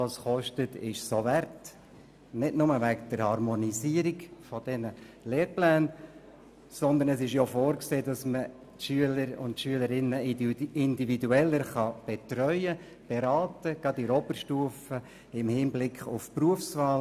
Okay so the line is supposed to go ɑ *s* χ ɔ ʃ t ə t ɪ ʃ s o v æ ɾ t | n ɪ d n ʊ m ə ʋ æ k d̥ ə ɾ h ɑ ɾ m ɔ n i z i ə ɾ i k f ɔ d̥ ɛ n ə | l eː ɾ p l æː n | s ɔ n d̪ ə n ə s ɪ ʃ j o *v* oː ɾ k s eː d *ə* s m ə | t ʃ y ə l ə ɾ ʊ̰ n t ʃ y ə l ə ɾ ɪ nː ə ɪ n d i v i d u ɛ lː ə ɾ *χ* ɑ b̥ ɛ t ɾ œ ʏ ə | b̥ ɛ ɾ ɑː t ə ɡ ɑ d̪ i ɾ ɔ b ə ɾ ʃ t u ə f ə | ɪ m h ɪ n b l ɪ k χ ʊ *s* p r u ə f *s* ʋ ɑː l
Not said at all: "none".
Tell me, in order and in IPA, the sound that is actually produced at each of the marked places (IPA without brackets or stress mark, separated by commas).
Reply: s, f, ɑ, χ, f, s